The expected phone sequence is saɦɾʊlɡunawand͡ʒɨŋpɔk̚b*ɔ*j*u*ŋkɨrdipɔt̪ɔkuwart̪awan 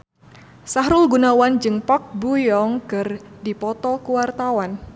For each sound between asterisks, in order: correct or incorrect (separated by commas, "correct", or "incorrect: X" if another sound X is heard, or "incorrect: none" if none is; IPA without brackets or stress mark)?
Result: incorrect: u, incorrect: ɔ